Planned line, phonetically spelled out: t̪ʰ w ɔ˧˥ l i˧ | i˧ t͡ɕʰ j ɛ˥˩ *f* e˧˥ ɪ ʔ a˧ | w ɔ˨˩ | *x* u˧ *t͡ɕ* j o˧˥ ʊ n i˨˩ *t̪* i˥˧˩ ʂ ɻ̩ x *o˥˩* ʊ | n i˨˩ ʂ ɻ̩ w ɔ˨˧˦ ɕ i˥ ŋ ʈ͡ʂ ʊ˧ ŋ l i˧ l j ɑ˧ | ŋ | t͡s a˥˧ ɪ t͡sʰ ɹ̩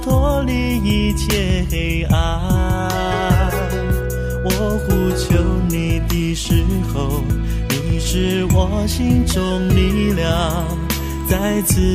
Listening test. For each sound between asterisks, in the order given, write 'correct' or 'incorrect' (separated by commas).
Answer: incorrect, correct, incorrect, correct, incorrect